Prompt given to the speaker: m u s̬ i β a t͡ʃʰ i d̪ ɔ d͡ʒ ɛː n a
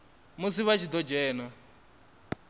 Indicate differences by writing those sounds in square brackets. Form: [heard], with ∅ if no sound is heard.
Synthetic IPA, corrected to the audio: m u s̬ i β a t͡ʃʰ i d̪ ɔ d͡ʒ ɛː n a